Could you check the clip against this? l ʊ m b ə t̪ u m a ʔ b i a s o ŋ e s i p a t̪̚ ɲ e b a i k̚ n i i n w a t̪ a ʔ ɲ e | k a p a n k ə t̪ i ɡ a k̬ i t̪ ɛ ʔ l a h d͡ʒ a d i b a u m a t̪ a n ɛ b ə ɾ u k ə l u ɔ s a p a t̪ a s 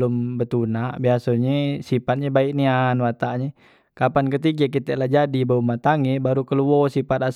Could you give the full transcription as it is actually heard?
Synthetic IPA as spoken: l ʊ m b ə t̪ u n a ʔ b i a s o ɲ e s i p a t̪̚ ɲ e b a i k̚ n i a n w a t̪ a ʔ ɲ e | k a p a n k ə t̪ i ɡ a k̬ i t̪ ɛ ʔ l a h d͡ʒ a d i b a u m a t̪ a ŋ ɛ b a ɾ u k ə l u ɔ s i p a t̪ a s

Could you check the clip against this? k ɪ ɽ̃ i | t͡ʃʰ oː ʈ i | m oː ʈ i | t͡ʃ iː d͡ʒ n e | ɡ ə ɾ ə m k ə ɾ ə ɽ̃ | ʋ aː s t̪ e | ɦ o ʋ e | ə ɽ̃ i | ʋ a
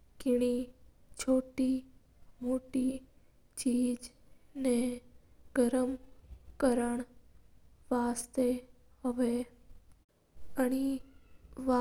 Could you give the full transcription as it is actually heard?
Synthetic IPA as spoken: k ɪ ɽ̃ i | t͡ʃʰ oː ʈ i | m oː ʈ i | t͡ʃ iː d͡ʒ n e | ɡ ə ɾ ə m k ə ɾ ə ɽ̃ | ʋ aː s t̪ e | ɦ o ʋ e | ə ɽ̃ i | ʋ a

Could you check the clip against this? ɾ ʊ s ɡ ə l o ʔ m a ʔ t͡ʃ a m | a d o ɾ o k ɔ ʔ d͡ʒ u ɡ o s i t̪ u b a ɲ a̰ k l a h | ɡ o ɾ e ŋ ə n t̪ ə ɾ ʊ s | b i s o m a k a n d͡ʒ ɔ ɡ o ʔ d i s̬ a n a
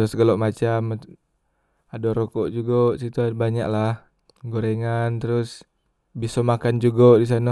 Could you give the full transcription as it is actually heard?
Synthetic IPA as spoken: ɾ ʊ s ɡ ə l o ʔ m a t͡ʃ a m | a d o ɾ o k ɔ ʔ d͡ʒ u ɡ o s i t̪ u b a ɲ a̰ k l a h | ɡ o ɾ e ŋ a n t̪ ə ɾ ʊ s | b i s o m a k a n d͡ʒ u ɡ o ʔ d i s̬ a n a

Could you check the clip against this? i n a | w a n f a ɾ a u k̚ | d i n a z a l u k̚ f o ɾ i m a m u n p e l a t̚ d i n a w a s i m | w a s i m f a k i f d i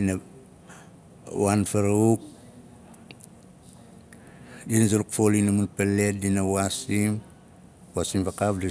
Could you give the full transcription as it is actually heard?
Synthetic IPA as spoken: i n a | w a n f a ɾ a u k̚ | d i n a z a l u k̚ f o l i n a m u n p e l e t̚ d i n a w a s i m | w a s i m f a k a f d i

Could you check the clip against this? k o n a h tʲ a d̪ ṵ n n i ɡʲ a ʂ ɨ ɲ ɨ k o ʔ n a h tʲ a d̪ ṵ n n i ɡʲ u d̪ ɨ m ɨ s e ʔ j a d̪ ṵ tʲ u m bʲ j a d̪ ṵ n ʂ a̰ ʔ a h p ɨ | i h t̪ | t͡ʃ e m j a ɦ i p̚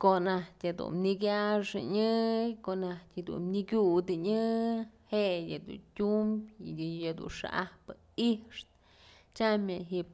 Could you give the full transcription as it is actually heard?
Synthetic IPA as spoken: k o n a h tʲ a d̪ ṵ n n i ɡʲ a ʂ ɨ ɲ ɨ k o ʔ n a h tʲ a d̪ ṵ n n i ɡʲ u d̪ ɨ ɲ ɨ h e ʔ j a d̪ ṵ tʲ u m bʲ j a d̪ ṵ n ʂ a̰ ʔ a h p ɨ | i ʂ t̪ | t͡ʃ a m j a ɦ i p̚

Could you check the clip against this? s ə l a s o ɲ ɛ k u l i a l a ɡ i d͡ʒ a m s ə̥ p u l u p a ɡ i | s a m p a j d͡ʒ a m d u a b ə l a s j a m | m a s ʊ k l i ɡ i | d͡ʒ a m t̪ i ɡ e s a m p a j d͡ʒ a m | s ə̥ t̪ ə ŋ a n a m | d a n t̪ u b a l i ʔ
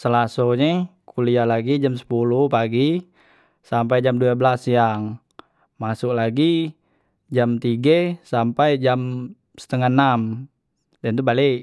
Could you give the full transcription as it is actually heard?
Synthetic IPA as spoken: s ə l a s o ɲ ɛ k u l i a l a ɡ i d͡ʒ a m s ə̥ p u l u p a ɡ i | s a m p a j d͡ʒ a m d u a b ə l a s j a ŋ | m a s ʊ k l a ɡ i | d͡ʒ a m t̪ i ɡ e s a m p a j d͡ʒ a m | s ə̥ t̪ ə ŋ a n a m | d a n t̪ u b a l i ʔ

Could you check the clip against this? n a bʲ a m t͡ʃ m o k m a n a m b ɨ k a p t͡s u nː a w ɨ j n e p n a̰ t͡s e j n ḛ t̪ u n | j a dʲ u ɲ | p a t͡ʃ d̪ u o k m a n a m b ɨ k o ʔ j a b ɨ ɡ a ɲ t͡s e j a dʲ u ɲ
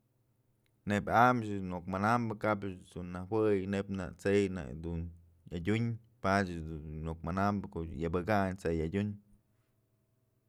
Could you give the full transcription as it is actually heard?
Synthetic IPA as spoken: n e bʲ a m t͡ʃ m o k m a n a m b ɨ k a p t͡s u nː a w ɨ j n e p n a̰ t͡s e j n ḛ d̪ u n | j a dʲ u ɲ | p a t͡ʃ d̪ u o k m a n a m b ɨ k o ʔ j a b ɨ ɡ a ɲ t͡s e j a dʲ u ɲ

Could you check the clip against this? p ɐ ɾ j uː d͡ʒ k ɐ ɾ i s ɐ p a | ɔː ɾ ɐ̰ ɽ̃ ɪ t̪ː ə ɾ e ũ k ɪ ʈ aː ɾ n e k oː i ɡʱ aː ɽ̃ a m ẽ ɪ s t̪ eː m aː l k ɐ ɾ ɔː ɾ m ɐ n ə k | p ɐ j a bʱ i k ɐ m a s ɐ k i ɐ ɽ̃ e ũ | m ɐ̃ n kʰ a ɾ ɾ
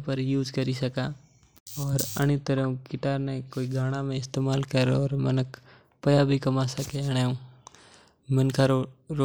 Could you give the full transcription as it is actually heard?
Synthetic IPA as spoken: p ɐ ɾ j uː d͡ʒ k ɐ ɾ i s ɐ k a | ɔː ɾ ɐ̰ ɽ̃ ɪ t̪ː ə ɾ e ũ k ɪ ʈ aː ɾ n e k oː i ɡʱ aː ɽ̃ a m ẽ ɪ s t̪ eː m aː l k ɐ ɾ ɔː ɾ m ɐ n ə k | p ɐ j a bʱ i k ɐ m a s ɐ k e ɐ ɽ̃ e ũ | m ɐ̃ n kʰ a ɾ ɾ

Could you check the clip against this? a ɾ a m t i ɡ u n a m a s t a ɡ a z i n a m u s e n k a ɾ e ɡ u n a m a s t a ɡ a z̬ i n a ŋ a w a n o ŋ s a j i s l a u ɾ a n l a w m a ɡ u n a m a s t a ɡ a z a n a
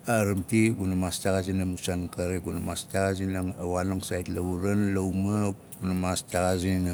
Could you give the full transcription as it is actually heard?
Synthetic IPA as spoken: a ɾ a m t i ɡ u n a m a s t a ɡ a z i n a m u s a n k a ɾ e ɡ u n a m a s t a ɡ a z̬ i n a ŋ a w a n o ŋ s a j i t l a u ɾ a n l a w m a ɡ u n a m a s t a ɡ a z i n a

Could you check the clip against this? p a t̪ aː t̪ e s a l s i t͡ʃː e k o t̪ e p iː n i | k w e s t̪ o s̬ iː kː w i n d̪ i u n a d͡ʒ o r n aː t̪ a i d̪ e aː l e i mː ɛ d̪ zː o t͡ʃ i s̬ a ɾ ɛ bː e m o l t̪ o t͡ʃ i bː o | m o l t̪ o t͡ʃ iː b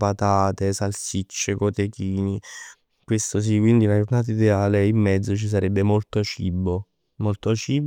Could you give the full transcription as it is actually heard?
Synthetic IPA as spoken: p a t̪ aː t̪ e s a l s i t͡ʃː e k o t̪ e k iː n i | k w e s t̪ o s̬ i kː w i n d̪ i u n a d͡ʒ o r n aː t̪ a i d̪ e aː l e i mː ɛ d̪ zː o t͡ʃ i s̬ a ɾ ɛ bː e m o l t̪ o t͡ʃ i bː o | m o l t̪ o t͡ʃ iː b

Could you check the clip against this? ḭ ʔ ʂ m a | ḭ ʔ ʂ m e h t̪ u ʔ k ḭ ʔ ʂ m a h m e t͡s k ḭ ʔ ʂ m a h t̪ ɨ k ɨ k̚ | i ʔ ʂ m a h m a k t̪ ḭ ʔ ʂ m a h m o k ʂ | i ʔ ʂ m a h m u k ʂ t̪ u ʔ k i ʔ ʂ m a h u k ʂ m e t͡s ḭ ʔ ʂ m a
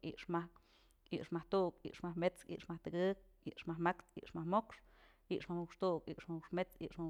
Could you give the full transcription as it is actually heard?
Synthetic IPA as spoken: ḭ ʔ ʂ m a | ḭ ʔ ʂ m a h t̪ u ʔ k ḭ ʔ ʂ m a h m e t͡s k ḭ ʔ ʂ m a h t̪ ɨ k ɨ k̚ | i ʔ ʂ m a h m a k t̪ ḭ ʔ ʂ m a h m o k ʂ | i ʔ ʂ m a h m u k ʂ t̪ u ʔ k i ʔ ʂ m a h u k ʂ m e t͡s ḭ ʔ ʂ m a

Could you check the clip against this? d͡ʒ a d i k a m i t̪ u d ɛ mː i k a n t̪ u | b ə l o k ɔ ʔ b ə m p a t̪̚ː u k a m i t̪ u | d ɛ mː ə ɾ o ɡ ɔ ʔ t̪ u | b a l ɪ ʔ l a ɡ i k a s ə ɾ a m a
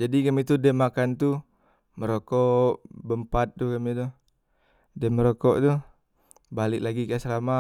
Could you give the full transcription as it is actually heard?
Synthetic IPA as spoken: d͡ʒ a d i k a m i t̪ u d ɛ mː a k a n t̪ u | m ə ɾ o k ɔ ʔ b ə m p a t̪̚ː u k a m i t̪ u | d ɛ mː ə ɾ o k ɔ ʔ t̪ u | b a l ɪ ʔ l a ɡ i k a s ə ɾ a m a

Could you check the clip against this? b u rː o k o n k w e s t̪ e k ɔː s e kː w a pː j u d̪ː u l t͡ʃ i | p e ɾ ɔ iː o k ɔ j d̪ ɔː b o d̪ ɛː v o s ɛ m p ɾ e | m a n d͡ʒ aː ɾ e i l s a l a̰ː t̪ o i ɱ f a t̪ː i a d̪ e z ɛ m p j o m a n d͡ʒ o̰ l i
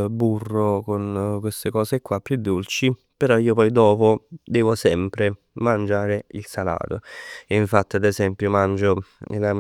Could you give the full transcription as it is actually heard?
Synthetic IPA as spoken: b u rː o k o n k w e s t̪ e k ɔː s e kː w a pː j u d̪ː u l t͡ʃ i | p e ɾ ɔ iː o p ɔ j d̪ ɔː p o d̪ ɛː v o s ɛ m p ɾ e | m a n d͡ʒ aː ɾ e i l s a l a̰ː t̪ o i ɱ f a t̪ː i a d̪ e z ɛ m p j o m a n d͡ʒ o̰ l a

